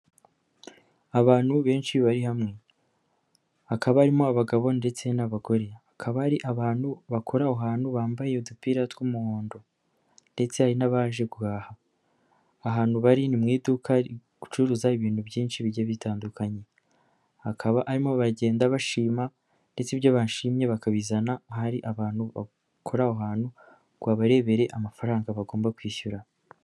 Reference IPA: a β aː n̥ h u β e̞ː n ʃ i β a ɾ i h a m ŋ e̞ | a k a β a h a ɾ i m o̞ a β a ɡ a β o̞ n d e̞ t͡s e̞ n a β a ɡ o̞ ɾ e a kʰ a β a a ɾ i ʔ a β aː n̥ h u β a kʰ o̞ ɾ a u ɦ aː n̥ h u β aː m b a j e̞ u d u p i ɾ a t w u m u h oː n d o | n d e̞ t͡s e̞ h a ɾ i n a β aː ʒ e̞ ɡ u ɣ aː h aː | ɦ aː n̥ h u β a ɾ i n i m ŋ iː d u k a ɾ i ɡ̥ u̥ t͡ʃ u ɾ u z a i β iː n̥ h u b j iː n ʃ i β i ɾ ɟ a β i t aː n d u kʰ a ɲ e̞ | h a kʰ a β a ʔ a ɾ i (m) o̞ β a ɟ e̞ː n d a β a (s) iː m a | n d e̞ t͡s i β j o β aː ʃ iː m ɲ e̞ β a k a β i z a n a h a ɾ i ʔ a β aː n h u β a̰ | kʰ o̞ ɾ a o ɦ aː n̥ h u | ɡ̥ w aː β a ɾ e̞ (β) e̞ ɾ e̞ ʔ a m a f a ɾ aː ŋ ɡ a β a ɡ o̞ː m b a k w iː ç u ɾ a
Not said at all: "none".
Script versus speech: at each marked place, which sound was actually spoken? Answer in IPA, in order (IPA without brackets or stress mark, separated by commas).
m, ʃ, β